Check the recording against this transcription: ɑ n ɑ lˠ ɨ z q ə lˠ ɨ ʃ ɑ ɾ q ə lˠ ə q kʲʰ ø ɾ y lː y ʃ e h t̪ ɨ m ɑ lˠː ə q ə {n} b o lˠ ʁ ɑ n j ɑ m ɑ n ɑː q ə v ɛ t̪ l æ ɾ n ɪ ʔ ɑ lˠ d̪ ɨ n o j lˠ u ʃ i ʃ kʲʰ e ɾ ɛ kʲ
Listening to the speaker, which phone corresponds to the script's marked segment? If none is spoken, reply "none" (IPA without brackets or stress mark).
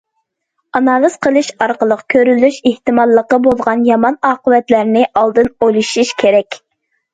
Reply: none